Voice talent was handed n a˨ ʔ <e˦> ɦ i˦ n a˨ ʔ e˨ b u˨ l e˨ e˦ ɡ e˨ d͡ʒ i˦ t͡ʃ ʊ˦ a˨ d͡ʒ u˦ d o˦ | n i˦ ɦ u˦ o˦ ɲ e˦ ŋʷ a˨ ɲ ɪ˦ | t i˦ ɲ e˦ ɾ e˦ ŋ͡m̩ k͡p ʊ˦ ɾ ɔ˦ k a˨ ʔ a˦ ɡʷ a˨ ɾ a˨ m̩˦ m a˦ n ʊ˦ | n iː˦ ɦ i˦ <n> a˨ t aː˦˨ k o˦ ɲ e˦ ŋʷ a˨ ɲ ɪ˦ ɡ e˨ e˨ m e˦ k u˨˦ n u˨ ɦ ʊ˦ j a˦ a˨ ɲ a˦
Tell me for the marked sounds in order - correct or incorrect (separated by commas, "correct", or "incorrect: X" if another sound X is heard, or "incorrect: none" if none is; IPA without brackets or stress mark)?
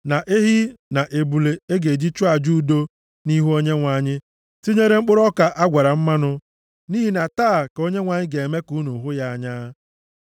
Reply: correct, correct